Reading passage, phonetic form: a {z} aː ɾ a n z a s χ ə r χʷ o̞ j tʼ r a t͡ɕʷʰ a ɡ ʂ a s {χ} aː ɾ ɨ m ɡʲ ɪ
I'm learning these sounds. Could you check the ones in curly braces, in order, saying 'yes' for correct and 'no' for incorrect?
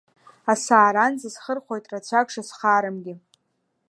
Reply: no, yes

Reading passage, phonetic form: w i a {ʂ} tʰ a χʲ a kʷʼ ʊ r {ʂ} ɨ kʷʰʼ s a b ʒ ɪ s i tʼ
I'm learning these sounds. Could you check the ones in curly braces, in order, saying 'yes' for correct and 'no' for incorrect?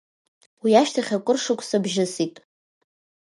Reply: no, yes

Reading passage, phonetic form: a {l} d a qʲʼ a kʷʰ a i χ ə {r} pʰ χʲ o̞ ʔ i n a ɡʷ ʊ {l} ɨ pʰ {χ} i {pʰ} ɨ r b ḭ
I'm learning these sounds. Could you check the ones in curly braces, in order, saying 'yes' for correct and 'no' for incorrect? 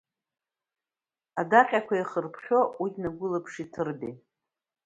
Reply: no, yes, yes, no, no

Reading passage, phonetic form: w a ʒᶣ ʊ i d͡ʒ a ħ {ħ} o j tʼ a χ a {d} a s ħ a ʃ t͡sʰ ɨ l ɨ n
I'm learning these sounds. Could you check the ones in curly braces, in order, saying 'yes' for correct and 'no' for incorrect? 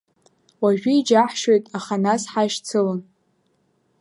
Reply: no, no

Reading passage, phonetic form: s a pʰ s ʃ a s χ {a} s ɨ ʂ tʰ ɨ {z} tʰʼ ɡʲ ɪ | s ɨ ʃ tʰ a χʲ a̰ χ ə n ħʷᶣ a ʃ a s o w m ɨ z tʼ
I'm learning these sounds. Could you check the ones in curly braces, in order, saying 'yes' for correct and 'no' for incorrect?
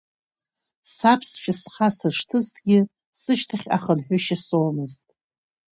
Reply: yes, yes

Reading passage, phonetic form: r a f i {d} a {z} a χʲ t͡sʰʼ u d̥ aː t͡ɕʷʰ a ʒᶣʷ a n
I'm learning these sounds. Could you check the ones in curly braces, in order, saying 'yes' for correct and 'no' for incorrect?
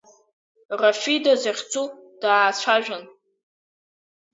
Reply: yes, yes

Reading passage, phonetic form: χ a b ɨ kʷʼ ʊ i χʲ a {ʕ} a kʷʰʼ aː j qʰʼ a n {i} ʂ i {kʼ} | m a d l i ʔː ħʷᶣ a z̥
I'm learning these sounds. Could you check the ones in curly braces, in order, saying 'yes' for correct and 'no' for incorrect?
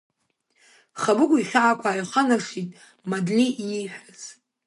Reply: yes, no, no

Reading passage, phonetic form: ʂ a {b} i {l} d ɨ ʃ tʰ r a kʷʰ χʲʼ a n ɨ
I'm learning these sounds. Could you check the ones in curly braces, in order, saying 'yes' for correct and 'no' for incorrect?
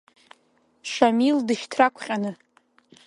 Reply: no, yes

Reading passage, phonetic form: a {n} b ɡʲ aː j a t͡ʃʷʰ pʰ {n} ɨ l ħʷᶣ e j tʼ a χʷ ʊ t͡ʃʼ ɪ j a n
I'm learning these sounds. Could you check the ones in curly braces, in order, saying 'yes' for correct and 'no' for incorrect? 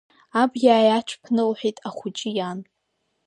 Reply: no, yes

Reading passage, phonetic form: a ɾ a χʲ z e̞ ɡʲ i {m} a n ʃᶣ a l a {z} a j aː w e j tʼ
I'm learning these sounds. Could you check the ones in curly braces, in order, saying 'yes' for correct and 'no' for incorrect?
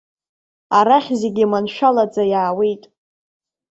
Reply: yes, no

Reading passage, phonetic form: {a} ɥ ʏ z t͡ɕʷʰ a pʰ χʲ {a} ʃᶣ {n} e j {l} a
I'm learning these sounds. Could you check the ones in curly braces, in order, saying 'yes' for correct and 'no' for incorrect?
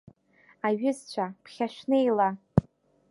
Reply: yes, yes, yes, yes

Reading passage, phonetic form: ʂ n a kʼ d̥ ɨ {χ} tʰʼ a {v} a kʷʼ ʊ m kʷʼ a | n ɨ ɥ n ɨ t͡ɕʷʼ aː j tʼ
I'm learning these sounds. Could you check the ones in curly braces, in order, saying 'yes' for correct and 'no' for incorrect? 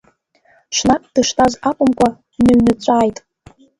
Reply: no, no

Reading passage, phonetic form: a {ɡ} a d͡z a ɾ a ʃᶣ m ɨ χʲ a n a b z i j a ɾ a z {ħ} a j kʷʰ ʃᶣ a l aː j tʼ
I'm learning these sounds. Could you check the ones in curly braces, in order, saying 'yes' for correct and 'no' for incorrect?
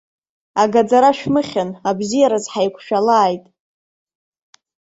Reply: yes, yes

